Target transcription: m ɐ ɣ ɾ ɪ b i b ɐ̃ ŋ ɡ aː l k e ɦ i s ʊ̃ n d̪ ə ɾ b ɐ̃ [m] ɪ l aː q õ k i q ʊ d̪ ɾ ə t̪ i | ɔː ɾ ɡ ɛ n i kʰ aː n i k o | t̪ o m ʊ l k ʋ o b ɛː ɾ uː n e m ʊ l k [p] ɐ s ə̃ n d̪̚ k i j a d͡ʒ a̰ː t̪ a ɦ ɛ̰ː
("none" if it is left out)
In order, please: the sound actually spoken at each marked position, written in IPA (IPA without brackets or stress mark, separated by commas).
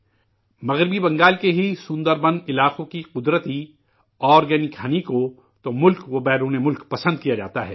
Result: n, p